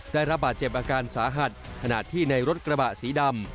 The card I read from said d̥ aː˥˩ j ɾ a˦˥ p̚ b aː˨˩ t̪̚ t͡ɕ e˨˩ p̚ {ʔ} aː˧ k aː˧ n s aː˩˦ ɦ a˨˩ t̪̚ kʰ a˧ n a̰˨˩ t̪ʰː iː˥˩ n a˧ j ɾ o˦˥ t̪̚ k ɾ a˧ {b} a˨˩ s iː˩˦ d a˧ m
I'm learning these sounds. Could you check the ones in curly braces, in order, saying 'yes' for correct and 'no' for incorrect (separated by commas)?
yes, yes